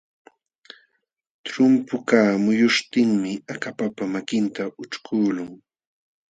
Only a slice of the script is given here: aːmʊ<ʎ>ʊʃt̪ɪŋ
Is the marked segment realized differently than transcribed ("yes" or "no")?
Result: yes